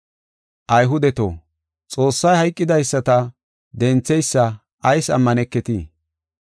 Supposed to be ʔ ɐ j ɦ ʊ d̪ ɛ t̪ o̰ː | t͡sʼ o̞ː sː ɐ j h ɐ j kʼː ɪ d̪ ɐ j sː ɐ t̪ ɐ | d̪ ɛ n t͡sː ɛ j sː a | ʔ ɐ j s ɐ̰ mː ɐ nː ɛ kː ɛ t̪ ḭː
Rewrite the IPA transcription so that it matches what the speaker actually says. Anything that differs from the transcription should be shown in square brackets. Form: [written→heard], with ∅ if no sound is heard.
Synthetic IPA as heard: ʔ ɐ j ɦ ʊ d̪ ɛ t̪ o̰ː | t͡sʼ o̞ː sː ɐ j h ɐ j kʼː ɪ d̪ ɐ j sː ɐ t̪ ɐ | d̪ ɛ n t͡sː ɛ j sː [a→ɐ] | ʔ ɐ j s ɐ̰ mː ɐ [nː→n] ɛ kː ɛ t̪ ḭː